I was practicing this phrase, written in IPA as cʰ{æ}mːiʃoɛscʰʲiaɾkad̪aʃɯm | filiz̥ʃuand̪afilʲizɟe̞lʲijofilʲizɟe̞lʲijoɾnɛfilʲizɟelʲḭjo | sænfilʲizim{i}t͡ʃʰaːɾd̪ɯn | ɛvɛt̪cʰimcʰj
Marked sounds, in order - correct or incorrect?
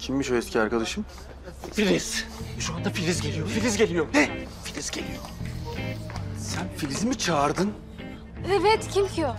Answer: incorrect: i, correct

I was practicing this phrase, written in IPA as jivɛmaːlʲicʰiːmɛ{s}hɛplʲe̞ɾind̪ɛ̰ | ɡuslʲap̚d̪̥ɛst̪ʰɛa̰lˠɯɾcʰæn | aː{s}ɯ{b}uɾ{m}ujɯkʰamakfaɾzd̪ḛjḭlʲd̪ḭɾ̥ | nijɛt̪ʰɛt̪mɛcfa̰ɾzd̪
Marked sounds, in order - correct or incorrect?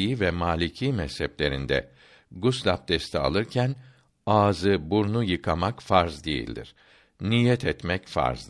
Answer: correct, incorrect: z, correct, incorrect: n

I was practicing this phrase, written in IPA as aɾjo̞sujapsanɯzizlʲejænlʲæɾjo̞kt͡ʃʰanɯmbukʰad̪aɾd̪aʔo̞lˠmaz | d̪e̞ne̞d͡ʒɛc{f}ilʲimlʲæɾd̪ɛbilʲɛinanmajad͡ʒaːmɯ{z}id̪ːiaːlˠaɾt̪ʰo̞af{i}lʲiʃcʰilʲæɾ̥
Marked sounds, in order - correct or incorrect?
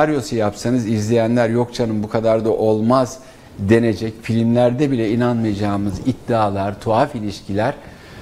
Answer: correct, correct, correct

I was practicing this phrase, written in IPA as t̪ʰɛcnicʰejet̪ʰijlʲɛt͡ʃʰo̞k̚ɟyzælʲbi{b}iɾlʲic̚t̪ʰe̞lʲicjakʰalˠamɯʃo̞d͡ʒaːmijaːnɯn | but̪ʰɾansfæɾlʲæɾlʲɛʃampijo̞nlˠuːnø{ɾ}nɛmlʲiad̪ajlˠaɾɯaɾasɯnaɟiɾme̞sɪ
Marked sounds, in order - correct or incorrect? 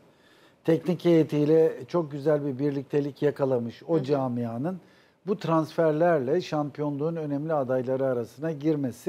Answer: correct, incorrect: none

